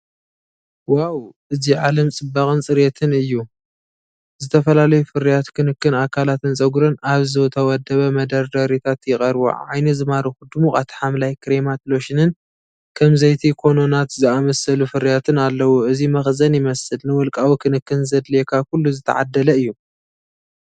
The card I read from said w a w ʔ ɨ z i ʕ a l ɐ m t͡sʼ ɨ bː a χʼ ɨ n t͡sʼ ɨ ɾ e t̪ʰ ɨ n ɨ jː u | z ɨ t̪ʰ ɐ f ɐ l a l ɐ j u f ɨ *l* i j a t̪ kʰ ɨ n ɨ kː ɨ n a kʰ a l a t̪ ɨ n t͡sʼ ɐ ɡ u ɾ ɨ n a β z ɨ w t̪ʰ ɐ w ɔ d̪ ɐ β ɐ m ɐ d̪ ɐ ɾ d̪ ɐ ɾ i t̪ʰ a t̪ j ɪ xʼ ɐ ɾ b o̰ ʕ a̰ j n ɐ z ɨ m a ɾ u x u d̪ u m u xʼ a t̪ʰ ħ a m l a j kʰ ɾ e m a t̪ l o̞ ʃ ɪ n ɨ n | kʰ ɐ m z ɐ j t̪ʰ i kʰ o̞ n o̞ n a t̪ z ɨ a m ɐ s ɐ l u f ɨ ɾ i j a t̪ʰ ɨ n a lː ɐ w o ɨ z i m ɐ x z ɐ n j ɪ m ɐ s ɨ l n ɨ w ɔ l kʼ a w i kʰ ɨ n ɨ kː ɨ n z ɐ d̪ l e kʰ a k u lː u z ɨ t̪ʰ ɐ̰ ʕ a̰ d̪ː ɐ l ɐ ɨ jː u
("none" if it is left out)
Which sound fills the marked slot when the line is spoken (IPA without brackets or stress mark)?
ɾ